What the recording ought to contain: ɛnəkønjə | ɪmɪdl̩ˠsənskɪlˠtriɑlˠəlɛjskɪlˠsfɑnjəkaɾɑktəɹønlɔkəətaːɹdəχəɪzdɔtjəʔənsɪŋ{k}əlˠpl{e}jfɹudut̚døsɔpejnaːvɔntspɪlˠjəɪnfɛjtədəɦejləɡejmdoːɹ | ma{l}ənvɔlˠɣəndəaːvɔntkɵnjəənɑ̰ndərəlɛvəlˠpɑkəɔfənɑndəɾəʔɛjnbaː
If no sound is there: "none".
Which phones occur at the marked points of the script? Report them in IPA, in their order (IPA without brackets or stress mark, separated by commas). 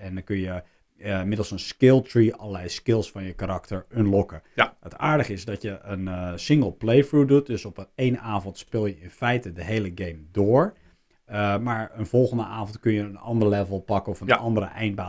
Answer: ɡ, e, ɹ